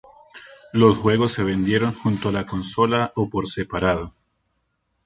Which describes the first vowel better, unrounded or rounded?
rounded